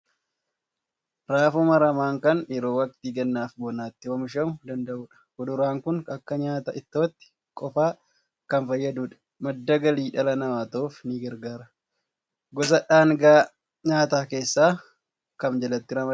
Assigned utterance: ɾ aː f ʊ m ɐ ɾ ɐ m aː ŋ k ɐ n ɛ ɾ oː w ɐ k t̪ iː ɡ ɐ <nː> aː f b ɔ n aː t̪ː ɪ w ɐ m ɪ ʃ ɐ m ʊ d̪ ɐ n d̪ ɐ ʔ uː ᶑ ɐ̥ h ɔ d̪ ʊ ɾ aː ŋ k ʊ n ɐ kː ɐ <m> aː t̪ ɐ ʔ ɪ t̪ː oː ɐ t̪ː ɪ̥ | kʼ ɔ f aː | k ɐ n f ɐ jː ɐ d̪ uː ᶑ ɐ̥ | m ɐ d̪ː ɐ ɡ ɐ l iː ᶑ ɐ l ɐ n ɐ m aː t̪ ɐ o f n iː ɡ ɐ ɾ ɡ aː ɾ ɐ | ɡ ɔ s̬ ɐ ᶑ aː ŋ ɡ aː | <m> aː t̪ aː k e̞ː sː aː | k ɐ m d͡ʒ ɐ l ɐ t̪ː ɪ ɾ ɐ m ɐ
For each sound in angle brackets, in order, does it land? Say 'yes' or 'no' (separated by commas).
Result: yes, no, no